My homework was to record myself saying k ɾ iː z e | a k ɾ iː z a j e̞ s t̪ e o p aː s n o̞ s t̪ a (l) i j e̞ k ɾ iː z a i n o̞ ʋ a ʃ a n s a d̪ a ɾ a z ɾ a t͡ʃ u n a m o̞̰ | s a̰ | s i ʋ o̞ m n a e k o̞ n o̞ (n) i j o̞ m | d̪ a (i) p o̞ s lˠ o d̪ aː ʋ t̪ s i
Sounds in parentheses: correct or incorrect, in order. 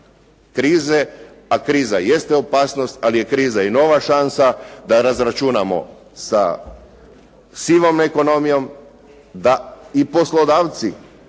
correct, incorrect: m, correct

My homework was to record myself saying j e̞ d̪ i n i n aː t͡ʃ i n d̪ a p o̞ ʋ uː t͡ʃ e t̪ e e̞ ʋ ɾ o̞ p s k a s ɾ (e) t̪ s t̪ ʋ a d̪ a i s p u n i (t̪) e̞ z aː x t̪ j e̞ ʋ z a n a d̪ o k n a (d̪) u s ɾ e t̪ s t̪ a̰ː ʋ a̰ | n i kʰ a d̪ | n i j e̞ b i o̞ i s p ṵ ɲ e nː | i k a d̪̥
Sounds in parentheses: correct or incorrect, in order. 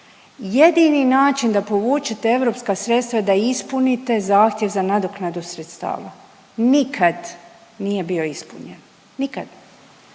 correct, correct, correct

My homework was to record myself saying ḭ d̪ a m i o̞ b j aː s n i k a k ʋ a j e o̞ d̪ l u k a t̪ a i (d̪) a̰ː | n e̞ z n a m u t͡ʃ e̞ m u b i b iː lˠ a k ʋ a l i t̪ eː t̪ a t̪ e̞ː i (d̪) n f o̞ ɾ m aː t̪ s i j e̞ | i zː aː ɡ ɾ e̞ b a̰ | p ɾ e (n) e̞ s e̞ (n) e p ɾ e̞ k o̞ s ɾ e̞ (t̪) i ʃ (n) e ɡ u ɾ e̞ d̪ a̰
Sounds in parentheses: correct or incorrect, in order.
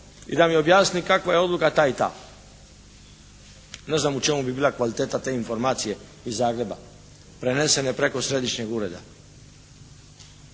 incorrect: t̪, incorrect: none, correct, correct, incorrect: d̪, incorrect: ɲ

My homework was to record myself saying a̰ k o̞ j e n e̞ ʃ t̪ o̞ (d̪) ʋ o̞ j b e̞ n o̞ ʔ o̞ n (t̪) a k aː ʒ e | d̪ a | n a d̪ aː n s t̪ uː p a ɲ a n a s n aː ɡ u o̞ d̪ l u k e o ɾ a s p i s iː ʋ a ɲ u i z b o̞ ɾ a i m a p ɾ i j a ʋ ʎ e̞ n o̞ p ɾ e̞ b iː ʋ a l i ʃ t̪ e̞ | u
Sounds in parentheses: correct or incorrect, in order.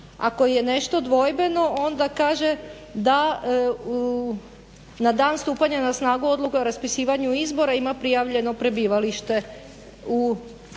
correct, incorrect: d̪

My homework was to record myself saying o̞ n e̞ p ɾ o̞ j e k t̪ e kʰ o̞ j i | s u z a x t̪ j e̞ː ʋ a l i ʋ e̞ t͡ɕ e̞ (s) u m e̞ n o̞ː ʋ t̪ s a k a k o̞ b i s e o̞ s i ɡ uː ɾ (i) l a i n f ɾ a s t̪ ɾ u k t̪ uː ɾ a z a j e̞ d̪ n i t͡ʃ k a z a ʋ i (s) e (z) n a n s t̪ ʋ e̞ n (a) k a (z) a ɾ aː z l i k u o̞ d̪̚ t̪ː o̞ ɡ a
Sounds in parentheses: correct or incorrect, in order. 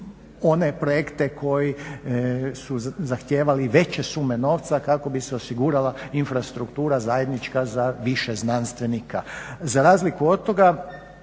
correct, incorrect: a, incorrect: ʃ, correct, incorrect: i, correct

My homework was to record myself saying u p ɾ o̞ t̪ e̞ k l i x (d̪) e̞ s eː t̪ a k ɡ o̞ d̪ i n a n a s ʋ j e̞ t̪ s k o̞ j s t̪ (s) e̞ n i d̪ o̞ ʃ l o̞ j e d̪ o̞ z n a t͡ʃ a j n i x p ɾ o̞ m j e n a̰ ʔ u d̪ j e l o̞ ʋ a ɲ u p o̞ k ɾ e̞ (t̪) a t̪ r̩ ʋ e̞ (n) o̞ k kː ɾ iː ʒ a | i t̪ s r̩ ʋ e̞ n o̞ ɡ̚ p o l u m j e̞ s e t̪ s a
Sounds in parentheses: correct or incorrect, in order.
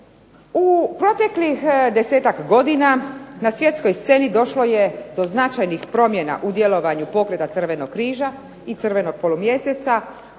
correct, correct, correct, correct

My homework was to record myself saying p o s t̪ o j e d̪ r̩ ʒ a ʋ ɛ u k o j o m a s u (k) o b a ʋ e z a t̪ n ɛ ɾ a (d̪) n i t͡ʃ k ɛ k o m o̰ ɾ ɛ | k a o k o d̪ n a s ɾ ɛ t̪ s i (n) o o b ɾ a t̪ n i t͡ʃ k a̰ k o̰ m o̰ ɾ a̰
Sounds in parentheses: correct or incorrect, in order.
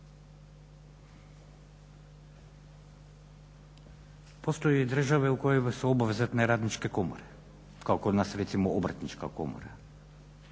incorrect: none, correct, incorrect: m

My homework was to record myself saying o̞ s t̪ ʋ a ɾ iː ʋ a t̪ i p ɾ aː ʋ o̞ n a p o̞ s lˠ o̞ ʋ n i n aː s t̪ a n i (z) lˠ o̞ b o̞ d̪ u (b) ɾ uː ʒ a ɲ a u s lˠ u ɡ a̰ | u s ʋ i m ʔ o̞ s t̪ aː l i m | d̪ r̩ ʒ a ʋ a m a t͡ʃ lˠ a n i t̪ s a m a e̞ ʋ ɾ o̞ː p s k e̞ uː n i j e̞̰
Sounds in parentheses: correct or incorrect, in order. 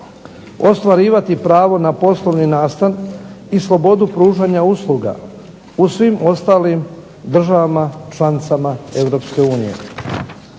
incorrect: s, incorrect: p

